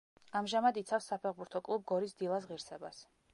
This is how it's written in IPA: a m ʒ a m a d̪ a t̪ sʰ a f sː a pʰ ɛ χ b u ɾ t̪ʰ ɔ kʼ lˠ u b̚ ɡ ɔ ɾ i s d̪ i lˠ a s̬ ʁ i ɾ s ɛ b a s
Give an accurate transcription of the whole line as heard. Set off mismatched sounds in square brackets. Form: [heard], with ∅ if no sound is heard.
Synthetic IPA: a m ʒ a m a d̪ [i] t̪ sʰ a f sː a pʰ ɛ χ b u ɾ t̪ʰ ɔ kʼ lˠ u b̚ ɡ ɔ ɾ i s d̪ i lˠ a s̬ ʁ i ɾ s ɛ b a s